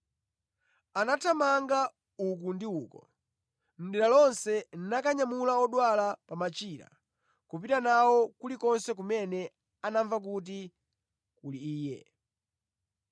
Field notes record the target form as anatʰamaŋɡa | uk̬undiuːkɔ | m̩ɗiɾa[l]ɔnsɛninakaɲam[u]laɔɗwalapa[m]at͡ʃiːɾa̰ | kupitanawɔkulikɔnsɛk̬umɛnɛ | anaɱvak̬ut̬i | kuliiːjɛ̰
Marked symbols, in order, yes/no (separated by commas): yes, yes, yes